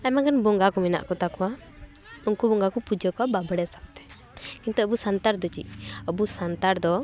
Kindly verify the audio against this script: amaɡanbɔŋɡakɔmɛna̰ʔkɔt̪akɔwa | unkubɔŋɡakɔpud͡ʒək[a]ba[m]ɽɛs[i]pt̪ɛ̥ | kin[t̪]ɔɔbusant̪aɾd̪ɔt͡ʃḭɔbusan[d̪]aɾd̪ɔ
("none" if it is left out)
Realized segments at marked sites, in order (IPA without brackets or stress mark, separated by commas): a, b, a, t̪, t̪